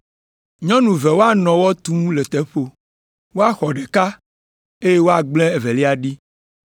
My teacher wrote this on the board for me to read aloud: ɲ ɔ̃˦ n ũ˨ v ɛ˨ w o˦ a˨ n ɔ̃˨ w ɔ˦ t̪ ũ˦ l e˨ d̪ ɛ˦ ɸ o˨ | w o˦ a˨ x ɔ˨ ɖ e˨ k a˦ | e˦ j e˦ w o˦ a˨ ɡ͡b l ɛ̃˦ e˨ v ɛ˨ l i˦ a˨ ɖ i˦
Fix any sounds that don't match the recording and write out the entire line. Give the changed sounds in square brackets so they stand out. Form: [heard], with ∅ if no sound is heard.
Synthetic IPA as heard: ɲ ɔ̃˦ n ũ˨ v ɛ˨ w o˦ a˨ n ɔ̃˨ w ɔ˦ t̪ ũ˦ l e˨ [t̪] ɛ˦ ɸ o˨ | w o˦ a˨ x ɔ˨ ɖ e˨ k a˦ | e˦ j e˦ w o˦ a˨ ɡ͡b l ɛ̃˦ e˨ v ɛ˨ l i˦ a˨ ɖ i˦